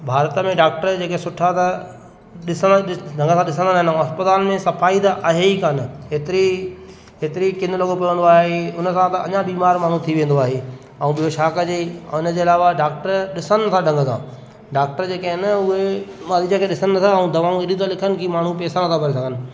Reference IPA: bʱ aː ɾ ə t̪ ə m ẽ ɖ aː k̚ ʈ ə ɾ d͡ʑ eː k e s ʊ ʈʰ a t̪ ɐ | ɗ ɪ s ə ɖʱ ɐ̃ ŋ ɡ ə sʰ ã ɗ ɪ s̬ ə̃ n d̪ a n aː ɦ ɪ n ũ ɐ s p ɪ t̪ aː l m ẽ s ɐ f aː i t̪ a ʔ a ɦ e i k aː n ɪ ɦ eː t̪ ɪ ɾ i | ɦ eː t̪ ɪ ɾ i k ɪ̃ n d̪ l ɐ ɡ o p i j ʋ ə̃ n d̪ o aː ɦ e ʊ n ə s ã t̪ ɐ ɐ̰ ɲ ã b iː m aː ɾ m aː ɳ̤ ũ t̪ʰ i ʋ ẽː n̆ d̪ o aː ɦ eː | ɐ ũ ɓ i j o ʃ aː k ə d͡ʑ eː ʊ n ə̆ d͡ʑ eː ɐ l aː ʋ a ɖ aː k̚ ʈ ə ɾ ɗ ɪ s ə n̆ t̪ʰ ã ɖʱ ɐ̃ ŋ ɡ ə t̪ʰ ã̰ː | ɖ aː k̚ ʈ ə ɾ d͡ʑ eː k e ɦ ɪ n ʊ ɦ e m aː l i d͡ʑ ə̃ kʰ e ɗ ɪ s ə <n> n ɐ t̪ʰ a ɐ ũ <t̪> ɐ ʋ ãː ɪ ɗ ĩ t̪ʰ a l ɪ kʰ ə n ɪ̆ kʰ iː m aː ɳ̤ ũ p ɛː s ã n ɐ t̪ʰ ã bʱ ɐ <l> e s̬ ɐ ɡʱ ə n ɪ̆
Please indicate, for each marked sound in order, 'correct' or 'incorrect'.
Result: correct, incorrect, incorrect

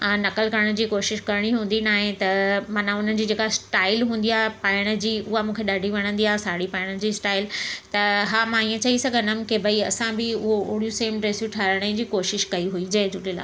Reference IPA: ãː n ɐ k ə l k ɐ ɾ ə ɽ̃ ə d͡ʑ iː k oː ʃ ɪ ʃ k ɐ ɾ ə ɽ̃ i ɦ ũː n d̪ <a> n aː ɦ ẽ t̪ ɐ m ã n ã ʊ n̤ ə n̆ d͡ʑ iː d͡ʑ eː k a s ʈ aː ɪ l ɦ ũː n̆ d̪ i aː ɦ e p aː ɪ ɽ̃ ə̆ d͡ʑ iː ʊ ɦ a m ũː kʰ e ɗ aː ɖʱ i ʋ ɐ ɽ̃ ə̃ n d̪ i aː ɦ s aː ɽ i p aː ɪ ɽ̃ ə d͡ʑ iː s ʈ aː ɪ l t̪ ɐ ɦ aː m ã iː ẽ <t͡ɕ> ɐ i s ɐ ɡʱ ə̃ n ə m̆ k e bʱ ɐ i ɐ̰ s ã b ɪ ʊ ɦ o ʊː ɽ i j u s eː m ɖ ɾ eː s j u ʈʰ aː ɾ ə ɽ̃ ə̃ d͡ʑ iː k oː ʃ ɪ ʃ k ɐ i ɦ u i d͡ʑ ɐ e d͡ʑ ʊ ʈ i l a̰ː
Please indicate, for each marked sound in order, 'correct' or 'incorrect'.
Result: incorrect, correct

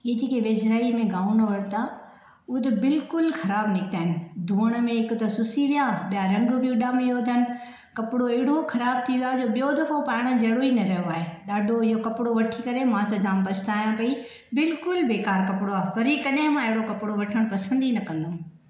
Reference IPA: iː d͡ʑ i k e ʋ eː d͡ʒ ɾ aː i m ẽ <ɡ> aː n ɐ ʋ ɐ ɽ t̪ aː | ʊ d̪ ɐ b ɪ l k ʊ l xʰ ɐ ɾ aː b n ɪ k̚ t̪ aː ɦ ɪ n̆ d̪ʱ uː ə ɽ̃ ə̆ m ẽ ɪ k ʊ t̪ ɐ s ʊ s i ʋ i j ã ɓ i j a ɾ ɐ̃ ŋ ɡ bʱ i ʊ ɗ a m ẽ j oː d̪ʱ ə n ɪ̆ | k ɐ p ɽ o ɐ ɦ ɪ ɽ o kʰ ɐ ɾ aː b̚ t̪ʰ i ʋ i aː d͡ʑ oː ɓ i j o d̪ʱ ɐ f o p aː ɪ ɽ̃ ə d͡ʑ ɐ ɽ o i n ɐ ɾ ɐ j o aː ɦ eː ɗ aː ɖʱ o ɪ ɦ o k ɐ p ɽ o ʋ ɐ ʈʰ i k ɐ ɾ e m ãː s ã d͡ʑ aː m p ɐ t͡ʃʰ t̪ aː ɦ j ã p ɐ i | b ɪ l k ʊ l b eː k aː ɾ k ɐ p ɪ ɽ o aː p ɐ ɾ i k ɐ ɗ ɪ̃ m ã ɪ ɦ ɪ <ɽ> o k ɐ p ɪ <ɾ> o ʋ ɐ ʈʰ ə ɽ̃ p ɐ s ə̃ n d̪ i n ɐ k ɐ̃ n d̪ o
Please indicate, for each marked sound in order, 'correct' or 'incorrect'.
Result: correct, correct, incorrect

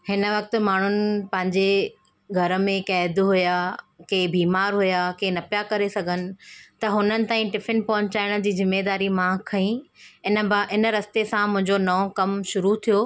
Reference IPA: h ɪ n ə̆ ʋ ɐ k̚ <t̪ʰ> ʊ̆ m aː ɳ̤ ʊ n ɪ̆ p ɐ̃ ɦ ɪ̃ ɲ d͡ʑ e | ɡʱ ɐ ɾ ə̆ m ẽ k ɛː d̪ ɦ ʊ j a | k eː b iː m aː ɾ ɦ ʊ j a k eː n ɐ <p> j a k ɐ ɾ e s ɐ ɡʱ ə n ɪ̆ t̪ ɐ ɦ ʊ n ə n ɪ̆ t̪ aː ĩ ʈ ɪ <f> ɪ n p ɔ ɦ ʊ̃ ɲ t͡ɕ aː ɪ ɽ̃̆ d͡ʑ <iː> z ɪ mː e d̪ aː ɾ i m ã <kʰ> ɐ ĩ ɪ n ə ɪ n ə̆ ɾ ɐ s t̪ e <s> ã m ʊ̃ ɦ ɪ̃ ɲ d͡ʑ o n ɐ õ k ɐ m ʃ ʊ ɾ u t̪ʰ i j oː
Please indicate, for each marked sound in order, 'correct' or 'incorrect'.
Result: incorrect, correct, correct, correct, correct, correct

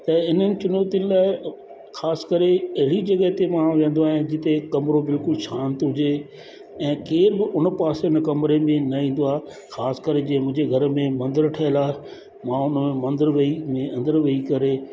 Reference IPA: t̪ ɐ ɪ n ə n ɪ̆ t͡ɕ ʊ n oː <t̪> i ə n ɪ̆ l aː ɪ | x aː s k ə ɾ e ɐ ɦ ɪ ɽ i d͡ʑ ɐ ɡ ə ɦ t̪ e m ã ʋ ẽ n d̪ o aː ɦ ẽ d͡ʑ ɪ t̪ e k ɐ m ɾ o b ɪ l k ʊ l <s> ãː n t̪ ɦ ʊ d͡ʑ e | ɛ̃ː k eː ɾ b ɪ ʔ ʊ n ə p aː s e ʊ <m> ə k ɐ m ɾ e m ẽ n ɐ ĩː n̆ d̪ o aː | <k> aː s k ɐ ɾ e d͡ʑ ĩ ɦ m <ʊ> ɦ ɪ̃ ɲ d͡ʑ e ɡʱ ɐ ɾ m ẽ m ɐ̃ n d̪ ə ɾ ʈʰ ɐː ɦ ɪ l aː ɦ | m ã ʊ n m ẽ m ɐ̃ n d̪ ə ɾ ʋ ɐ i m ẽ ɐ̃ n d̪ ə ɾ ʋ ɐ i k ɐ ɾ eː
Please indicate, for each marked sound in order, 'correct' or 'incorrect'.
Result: correct, incorrect, incorrect, incorrect, incorrect

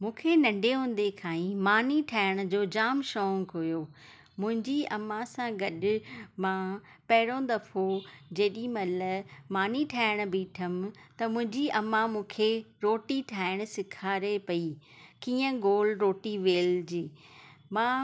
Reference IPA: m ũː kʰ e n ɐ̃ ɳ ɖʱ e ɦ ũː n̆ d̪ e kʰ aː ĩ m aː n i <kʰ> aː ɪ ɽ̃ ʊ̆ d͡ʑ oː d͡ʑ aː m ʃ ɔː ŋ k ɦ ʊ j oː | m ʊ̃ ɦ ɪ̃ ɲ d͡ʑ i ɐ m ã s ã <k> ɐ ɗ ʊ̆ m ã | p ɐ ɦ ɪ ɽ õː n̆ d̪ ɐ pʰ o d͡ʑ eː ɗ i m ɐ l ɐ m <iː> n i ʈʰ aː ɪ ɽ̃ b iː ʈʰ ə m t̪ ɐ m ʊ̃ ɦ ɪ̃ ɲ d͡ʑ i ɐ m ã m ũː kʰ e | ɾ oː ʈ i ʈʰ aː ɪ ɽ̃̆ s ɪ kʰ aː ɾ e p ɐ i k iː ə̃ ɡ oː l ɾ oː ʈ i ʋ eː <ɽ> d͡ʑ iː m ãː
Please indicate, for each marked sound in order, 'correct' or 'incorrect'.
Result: incorrect, incorrect, incorrect, incorrect

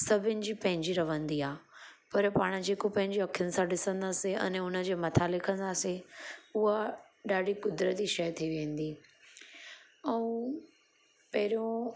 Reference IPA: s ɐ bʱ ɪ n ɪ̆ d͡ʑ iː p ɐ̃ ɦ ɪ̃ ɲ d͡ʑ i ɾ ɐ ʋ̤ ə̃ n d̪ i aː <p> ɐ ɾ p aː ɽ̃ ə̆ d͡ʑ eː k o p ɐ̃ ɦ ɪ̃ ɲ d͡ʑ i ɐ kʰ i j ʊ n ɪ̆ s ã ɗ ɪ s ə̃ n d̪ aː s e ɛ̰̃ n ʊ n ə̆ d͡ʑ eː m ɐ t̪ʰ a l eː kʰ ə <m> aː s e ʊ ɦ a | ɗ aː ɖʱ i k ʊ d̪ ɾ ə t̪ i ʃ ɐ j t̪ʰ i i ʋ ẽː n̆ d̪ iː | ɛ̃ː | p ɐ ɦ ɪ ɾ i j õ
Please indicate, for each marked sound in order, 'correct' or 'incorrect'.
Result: correct, incorrect

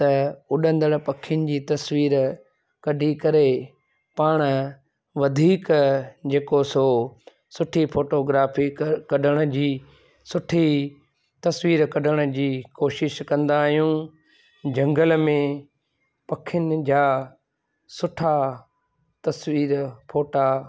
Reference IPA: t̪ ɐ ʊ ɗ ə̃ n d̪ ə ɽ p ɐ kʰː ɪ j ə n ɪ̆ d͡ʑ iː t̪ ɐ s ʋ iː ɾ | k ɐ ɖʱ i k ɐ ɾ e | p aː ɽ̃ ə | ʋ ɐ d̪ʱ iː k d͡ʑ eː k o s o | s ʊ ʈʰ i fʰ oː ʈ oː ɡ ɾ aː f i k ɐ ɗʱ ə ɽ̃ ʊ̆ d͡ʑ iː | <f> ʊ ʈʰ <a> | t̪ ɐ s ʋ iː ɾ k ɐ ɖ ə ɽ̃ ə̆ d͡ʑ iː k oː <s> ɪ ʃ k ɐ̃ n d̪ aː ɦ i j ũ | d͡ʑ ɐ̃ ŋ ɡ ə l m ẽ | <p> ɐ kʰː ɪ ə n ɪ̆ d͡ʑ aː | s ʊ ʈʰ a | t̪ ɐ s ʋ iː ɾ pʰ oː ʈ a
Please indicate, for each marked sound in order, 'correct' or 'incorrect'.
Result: incorrect, incorrect, incorrect, correct

